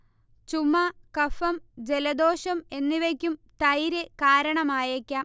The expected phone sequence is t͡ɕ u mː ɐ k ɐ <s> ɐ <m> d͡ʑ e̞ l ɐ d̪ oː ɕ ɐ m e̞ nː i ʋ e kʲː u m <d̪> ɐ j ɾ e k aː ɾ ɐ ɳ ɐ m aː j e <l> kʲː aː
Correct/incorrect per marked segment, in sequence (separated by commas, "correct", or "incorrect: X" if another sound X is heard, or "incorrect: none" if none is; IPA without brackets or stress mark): incorrect: f, correct, incorrect: t̪, incorrect: none